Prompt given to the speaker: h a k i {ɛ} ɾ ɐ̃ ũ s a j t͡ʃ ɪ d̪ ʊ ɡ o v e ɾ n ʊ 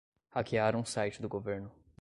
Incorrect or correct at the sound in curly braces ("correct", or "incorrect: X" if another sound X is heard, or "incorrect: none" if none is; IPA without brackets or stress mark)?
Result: incorrect: a